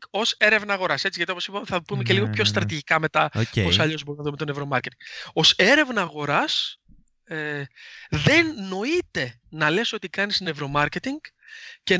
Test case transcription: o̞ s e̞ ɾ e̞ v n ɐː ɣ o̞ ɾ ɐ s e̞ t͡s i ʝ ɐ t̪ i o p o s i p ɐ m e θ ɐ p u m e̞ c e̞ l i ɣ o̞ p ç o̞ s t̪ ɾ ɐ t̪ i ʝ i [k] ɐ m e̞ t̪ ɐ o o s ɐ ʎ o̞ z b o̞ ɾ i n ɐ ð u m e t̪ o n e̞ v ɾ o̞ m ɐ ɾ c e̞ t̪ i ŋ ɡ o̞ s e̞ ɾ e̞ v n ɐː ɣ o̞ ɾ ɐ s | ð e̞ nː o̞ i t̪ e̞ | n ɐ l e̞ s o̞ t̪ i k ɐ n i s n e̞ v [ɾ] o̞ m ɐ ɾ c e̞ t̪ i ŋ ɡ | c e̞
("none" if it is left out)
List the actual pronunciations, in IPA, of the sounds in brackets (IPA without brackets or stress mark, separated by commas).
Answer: k, ɾ